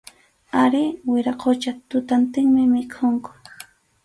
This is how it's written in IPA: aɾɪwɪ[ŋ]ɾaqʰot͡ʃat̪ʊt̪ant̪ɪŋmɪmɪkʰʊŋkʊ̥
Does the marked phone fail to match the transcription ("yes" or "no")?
yes